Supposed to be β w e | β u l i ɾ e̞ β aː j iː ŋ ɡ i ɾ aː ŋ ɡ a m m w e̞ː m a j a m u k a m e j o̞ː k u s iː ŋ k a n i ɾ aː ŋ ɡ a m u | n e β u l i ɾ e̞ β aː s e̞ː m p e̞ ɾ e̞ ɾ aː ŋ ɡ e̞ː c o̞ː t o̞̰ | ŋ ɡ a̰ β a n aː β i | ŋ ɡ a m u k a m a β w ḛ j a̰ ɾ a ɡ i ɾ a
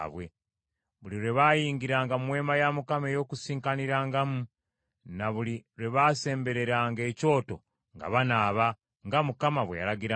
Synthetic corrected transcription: β w e | β u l i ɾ e̞ β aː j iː ŋ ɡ i ɾ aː ŋ ɡ a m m w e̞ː m a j a m u k a m e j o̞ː k u s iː ŋ k a n i ɾ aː ŋ ɡ a m u | n a β u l i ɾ e̞ β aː s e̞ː m b e̞ ɾ e̞ ɾ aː ŋ ɡ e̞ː c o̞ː t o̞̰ | ŋ ɡ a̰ β a n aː β a | ŋ ɡ a m u k a m a β w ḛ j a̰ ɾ a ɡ i ɾ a